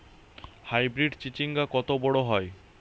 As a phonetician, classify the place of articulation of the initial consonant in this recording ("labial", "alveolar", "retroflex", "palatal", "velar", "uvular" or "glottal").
glottal